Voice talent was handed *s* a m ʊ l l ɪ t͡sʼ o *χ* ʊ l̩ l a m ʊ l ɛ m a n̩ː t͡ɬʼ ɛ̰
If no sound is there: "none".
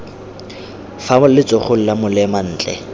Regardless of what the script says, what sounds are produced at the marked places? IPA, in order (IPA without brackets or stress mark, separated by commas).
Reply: f, χ